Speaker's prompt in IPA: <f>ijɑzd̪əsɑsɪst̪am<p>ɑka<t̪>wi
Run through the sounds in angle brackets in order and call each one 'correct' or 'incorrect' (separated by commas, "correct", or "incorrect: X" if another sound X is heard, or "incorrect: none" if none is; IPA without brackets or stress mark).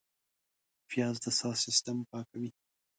correct, correct, incorrect: none